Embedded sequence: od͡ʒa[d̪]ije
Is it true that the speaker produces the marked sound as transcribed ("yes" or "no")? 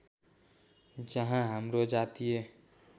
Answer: no